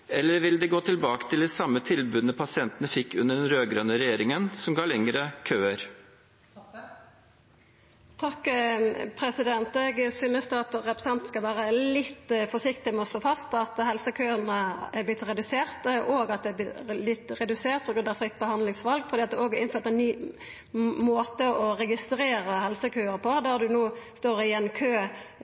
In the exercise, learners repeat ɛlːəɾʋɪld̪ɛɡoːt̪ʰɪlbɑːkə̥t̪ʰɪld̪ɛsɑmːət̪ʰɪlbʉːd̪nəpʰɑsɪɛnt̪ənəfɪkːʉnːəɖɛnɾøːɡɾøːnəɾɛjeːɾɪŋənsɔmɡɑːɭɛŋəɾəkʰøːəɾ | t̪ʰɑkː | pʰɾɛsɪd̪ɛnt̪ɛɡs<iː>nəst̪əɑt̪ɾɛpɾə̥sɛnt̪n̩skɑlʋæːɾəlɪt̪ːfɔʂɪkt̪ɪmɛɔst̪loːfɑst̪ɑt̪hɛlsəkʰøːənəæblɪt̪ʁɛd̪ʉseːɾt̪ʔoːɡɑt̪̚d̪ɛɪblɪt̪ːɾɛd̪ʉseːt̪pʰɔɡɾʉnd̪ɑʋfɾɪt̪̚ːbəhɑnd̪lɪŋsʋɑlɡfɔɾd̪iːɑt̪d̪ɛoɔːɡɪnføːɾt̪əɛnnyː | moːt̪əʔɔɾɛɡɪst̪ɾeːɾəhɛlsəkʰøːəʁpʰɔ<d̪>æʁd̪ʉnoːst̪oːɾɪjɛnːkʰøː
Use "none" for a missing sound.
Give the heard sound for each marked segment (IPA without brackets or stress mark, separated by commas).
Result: yː, d̪